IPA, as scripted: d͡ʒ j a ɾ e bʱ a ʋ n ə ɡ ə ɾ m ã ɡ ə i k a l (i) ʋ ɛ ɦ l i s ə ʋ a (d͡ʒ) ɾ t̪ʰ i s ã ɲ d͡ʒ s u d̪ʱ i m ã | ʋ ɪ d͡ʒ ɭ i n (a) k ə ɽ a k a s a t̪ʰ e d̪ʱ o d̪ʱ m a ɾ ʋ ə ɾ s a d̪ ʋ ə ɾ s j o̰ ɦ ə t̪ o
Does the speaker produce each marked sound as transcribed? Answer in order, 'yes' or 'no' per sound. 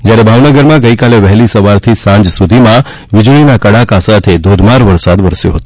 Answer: no, no, yes

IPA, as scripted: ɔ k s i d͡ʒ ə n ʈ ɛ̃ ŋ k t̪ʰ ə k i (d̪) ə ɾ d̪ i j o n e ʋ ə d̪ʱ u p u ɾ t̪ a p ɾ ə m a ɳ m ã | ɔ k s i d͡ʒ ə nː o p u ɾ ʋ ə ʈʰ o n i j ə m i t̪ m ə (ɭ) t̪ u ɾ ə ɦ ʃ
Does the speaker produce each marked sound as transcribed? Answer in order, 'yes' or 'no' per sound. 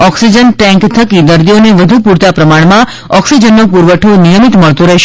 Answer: yes, yes

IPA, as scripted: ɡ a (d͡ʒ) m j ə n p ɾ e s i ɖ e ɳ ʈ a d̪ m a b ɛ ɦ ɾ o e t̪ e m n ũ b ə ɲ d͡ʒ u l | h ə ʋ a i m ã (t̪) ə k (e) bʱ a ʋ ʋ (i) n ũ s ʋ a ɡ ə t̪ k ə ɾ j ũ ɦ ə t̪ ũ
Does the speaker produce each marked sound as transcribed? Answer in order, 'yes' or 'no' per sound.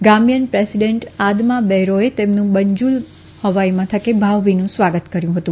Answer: no, no, yes, yes

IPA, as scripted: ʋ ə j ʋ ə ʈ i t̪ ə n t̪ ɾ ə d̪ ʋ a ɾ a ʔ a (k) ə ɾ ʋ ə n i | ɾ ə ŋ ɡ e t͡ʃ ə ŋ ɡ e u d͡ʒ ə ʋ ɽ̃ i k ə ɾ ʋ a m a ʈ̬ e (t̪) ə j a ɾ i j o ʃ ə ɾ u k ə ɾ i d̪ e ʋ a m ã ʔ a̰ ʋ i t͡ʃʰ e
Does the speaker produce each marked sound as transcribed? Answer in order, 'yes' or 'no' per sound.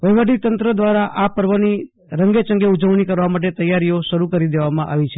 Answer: no, yes

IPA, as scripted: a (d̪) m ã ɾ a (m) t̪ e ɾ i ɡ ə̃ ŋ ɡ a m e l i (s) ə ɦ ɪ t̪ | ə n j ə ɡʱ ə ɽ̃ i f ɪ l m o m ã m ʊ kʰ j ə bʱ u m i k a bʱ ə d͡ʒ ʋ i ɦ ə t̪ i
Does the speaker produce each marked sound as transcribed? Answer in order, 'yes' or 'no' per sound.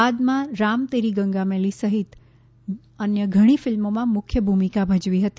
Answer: yes, yes, yes

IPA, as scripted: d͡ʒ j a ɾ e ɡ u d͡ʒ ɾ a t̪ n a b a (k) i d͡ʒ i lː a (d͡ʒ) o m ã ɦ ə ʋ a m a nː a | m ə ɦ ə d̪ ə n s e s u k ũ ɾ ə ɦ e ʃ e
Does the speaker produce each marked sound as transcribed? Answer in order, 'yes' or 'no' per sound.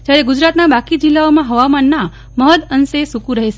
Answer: yes, no

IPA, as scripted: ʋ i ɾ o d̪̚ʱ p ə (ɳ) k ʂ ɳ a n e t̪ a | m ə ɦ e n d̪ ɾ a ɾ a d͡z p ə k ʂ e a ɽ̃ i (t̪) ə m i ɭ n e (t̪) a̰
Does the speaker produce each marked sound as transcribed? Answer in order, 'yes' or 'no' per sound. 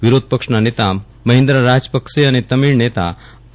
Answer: no, yes, yes

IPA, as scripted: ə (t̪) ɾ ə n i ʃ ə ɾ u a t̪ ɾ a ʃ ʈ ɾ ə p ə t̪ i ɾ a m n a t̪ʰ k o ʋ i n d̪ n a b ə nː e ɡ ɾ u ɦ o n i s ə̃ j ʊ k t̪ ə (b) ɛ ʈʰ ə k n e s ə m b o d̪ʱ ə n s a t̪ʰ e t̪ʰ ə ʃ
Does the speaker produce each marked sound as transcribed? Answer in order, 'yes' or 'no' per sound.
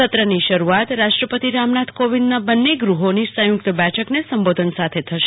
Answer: yes, yes

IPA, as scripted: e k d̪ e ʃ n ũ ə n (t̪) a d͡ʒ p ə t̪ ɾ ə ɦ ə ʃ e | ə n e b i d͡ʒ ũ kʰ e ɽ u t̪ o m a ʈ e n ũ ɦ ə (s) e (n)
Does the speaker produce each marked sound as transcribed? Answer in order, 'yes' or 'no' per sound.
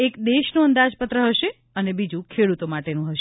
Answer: no, no, no

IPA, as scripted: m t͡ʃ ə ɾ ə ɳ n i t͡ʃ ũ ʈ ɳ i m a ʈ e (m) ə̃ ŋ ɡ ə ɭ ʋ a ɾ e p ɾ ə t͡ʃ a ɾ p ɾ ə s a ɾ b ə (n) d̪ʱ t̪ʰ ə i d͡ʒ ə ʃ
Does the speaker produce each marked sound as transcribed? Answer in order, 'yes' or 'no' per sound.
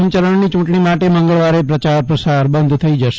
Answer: yes, yes

